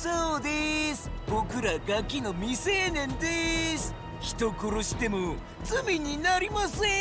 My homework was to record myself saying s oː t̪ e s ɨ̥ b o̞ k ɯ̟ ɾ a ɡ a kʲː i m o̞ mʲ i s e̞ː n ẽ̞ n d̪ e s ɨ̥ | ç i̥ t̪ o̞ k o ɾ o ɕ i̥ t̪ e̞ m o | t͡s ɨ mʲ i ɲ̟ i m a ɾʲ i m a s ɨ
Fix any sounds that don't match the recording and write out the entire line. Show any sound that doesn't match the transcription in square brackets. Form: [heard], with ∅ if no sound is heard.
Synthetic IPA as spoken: s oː [d̪] e s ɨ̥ b o̞ k ɯ̟ ɾ a ɡ a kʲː i [n] o̞ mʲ i s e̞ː n ẽ̞ n d̪ e s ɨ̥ | ç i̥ t̪ o̞ k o ɾ o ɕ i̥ t̪ e̞ m o | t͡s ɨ mʲ i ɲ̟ i [n] a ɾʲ i m a s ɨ